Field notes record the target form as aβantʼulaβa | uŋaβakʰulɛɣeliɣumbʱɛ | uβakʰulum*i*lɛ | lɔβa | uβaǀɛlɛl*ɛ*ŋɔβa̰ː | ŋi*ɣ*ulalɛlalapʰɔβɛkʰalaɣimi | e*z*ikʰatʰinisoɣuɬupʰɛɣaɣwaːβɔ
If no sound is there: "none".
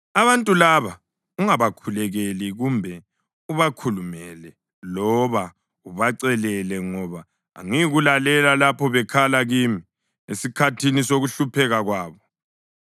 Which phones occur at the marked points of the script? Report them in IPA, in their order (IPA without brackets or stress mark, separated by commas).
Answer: ɛ, ɛ, ɣ, s